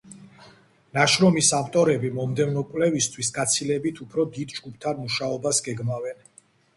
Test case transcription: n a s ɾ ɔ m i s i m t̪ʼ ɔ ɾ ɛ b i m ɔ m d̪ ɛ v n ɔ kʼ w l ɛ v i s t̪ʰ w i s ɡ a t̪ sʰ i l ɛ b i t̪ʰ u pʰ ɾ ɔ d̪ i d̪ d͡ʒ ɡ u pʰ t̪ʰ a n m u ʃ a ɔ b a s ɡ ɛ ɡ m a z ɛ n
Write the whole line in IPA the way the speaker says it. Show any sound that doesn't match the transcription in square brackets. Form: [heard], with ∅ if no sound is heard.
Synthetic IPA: n a [ʃ] ɾ ɔ m i s [a] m t̪ʼ ɔ ɾ ɛ b i m ɔ m d̪ ɛ v n ɔ kʼ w l ɛ v i s t̪ʰ w i s ɡ a t̪ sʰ i l ɛ b i t̪ʰ u pʰ ɾ ɔ d̪ i d̪ d͡ʒ ɡ u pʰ t̪ʰ a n m u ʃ a ɔ b a s ɡ ɛ ɡ m a [v] ɛ n